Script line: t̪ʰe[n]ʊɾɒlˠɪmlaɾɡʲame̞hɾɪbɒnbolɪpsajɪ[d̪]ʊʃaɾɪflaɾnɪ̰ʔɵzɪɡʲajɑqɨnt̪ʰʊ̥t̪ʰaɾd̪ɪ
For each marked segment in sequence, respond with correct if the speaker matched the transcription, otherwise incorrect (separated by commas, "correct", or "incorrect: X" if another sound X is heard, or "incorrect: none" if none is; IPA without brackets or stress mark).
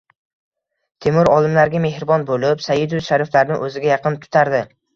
incorrect: m, correct